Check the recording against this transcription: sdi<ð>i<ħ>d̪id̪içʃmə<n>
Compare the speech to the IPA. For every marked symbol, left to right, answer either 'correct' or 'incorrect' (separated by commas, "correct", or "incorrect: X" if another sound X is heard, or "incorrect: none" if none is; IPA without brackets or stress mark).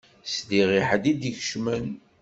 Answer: incorrect: ʁ, correct, correct